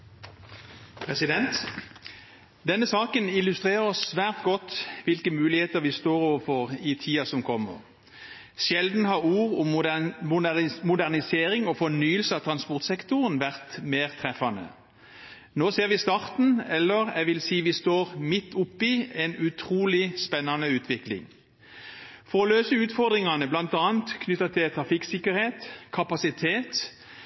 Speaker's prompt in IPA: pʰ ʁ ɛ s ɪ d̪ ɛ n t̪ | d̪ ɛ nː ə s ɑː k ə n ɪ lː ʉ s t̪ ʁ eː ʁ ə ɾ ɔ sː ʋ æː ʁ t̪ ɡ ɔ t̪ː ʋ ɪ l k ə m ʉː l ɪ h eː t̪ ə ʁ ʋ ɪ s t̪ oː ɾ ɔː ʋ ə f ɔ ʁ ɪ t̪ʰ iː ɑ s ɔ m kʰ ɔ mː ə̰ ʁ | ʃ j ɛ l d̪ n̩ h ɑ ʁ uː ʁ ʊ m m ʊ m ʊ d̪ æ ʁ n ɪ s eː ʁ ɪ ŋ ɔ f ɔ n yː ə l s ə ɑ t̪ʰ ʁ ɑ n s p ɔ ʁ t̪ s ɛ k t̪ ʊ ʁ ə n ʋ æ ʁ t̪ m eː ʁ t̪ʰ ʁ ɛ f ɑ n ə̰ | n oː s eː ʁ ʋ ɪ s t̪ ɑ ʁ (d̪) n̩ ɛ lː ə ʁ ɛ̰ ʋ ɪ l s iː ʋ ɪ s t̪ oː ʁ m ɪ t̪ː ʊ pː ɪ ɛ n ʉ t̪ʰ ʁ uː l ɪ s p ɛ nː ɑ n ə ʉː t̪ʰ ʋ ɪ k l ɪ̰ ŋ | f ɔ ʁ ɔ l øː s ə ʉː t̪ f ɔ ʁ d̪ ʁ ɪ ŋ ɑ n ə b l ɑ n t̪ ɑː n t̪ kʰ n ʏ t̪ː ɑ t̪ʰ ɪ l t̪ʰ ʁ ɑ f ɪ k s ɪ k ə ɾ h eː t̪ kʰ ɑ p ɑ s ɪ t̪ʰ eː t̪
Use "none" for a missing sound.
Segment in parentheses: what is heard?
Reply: t̪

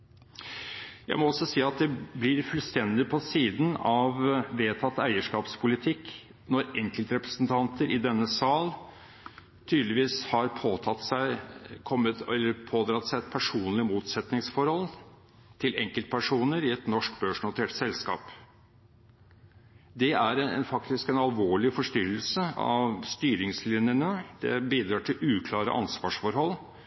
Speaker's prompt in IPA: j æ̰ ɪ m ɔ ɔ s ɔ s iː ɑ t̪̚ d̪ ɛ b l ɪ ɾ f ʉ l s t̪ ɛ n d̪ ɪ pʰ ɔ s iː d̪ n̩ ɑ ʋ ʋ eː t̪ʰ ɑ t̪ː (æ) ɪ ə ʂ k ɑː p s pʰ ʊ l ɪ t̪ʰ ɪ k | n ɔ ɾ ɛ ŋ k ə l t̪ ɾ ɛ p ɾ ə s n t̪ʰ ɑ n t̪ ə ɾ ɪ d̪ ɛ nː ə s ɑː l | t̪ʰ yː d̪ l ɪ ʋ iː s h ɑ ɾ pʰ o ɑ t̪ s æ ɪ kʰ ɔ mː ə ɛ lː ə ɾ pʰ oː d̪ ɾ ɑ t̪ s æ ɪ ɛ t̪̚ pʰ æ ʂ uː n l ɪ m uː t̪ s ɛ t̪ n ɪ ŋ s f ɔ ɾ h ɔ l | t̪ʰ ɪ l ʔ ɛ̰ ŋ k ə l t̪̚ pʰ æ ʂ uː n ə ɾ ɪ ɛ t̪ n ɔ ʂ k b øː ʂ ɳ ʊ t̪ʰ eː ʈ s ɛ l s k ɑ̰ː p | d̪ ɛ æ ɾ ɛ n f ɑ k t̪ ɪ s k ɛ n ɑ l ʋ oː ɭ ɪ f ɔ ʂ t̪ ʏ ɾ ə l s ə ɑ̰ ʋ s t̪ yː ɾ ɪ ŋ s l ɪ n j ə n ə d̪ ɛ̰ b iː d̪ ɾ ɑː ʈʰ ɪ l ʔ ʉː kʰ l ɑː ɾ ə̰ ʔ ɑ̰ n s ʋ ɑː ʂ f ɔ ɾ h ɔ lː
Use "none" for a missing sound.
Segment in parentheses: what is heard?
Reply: æ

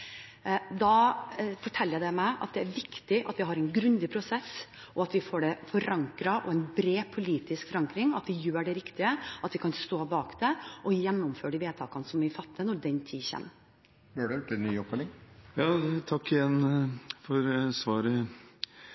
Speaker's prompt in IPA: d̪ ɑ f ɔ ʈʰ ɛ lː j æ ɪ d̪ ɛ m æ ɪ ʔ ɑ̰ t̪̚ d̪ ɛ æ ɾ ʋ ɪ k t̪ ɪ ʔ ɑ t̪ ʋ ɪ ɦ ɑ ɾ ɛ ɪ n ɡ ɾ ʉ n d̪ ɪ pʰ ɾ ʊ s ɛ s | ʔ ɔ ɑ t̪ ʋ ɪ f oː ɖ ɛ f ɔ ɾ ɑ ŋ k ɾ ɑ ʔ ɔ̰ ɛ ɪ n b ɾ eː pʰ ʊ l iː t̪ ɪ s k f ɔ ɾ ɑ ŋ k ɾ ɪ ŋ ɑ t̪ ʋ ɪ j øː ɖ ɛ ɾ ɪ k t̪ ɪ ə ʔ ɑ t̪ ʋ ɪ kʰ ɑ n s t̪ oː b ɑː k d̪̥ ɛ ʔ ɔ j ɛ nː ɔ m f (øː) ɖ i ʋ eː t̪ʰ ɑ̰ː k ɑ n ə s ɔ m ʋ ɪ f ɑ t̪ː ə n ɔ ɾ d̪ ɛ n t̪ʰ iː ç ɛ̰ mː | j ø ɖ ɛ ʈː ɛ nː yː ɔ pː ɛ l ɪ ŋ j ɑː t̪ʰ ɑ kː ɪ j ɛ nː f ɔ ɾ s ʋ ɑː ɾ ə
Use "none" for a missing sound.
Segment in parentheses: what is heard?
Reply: øː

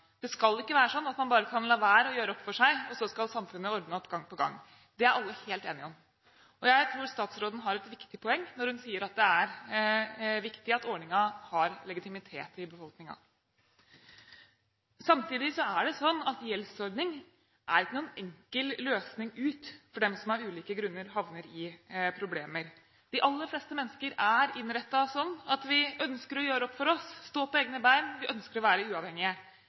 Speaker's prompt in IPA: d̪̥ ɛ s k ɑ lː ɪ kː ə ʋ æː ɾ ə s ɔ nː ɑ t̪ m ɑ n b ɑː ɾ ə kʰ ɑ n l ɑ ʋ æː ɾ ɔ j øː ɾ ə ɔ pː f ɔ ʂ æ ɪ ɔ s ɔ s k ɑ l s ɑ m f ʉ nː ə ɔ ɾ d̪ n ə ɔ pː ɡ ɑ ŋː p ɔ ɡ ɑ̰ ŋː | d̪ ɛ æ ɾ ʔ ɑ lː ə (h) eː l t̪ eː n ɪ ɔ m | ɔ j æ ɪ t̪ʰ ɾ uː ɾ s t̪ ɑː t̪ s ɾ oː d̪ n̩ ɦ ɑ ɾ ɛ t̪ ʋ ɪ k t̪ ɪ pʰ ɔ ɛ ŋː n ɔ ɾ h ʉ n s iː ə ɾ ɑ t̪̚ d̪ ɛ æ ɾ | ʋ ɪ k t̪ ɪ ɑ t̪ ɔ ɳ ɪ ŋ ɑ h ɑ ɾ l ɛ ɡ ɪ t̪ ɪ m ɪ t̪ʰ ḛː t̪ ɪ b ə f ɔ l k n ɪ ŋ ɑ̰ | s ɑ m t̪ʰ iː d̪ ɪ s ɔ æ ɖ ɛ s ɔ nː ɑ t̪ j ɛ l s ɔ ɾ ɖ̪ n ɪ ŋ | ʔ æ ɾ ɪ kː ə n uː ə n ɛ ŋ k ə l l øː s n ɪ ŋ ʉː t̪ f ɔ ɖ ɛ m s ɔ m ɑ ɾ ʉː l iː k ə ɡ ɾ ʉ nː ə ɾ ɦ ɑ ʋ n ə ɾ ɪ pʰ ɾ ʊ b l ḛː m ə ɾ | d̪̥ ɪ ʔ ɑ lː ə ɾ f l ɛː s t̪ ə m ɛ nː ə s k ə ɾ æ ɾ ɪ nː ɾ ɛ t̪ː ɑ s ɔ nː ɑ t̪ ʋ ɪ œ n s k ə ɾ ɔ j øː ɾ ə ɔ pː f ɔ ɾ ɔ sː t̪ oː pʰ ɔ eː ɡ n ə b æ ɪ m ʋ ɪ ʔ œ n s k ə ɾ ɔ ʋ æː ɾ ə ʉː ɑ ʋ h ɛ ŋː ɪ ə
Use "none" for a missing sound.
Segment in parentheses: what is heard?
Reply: h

